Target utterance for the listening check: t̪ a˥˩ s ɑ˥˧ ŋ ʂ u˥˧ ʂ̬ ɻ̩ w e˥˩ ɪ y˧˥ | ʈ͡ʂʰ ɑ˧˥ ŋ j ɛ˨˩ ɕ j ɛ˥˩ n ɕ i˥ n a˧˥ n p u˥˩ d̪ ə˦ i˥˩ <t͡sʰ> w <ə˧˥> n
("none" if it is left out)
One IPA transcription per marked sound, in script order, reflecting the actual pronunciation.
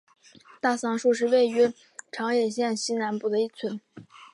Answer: t͡sʰ, ə˧˥

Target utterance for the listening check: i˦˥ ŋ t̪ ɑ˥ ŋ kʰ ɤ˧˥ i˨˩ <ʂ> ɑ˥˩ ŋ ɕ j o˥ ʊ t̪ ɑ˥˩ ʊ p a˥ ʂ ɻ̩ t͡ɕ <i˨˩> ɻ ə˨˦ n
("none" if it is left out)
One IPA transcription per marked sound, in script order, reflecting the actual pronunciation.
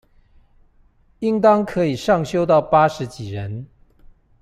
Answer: ʂ, i˨˩

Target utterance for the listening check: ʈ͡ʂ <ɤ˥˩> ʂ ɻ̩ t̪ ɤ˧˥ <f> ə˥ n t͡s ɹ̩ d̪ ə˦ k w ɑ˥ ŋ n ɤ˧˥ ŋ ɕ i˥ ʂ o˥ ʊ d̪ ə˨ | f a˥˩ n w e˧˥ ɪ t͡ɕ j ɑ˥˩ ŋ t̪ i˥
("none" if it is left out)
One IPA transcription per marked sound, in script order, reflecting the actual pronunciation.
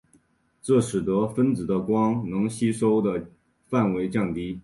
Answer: ɤ˥˩, f

